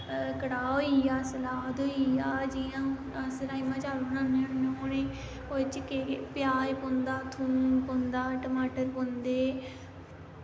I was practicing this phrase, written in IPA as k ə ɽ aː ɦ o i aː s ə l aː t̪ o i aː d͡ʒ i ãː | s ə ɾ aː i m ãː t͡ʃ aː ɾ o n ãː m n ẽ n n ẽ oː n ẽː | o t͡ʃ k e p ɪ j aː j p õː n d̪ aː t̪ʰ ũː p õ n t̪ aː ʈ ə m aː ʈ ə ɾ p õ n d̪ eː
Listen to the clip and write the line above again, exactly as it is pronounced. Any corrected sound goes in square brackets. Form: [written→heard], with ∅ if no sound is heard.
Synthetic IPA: k ə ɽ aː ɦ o i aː s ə l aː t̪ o i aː d͡ʒ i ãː | s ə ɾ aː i m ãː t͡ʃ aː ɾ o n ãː [m→∅] n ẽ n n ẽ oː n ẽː | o t͡ʃ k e p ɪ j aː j p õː n d̪ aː t̪ʰ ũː p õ n [t̪→d̪] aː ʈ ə m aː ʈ ə ɾ p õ n d̪ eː